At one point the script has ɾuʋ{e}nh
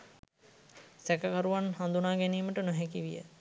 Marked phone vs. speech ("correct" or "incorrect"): incorrect